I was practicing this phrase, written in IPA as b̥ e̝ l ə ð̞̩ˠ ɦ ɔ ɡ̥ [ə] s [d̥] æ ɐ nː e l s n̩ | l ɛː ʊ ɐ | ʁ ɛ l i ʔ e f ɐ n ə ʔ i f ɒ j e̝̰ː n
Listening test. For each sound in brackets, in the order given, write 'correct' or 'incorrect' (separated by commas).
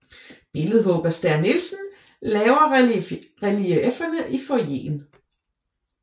incorrect, correct